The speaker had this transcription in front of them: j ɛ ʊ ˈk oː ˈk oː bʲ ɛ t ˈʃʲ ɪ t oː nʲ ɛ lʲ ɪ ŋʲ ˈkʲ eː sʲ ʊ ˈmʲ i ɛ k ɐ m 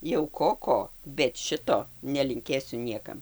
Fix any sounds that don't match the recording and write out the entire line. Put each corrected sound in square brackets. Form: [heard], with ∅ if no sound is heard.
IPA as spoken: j ɛ ʊ ˈk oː ˈk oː bʲ ɛ t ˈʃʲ ɪ t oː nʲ ɛ lʲ ɪ ŋʲ ˈkʲ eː sʲ ʊ [ˈnʲ] i ɛ k ɐ m